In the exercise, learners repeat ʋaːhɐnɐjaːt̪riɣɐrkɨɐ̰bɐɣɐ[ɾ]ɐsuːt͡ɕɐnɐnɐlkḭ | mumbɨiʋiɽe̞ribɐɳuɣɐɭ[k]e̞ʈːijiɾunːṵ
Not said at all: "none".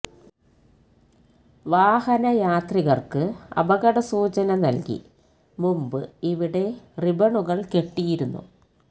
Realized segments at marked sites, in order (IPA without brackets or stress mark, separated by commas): ɽ, k